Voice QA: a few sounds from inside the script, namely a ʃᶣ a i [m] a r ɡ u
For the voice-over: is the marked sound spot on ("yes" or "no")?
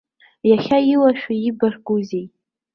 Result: no